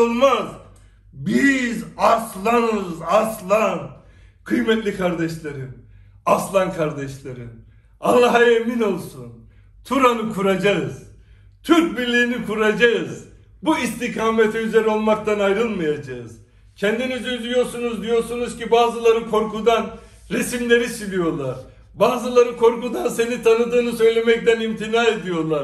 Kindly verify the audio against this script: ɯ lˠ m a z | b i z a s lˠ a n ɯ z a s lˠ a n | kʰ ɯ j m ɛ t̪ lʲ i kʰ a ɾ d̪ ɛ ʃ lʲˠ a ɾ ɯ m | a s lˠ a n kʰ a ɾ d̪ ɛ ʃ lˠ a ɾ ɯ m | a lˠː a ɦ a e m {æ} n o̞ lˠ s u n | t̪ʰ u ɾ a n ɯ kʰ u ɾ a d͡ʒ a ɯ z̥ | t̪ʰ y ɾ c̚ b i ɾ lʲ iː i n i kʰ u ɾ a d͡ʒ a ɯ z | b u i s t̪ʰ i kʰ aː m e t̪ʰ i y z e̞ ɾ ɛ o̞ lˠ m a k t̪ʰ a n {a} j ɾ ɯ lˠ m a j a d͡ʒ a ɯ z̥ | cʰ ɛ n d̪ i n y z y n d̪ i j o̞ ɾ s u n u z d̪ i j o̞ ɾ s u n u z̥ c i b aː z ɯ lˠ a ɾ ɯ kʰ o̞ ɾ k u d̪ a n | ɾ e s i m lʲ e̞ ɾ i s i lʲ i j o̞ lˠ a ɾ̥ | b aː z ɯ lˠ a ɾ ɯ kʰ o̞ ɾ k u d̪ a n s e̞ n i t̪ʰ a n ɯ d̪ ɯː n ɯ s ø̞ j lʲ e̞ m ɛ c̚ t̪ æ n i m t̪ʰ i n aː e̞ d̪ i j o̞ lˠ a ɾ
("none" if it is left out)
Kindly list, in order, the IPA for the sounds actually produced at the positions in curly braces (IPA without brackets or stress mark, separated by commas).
i, a